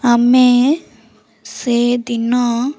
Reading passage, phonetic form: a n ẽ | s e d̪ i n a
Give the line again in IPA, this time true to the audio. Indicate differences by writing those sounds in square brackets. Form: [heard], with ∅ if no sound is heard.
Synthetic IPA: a [m] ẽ | s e d̪ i n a